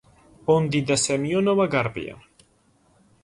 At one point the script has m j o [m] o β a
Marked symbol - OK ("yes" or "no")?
no